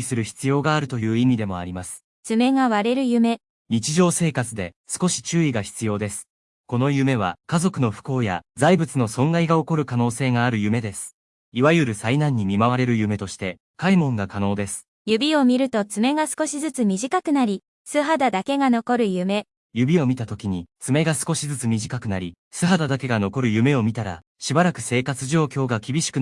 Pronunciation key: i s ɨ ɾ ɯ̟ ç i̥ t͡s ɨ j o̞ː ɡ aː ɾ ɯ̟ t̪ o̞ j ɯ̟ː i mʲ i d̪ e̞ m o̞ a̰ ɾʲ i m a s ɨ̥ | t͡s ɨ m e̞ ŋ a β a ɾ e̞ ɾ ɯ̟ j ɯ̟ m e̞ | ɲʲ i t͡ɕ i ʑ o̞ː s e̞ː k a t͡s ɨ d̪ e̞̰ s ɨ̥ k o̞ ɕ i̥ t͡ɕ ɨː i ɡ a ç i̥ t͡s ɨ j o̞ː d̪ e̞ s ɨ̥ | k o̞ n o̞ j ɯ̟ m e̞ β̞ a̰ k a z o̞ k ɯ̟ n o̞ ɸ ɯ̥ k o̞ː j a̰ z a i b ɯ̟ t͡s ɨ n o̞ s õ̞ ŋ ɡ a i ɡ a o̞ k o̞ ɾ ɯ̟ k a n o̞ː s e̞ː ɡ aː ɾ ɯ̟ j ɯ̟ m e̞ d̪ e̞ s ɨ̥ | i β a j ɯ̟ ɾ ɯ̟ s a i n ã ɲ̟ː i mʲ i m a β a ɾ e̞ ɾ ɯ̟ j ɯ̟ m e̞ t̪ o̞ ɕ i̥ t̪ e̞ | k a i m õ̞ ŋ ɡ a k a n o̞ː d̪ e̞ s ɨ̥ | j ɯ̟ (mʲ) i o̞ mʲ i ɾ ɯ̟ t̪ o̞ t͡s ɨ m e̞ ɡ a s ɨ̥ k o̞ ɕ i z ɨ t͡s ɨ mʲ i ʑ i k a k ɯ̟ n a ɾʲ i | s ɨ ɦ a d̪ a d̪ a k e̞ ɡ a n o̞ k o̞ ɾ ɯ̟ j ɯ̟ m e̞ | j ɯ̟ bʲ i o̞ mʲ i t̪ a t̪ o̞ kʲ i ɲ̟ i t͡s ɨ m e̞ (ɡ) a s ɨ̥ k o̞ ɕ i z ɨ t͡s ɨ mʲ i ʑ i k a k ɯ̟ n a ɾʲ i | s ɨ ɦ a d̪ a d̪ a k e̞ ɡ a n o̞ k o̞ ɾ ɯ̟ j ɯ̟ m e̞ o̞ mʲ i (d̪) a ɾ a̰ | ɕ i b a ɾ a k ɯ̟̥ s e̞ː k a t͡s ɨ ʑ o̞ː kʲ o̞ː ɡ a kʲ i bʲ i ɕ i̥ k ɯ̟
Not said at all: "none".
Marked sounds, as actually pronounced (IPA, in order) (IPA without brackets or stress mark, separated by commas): bʲ, ɡ, t̪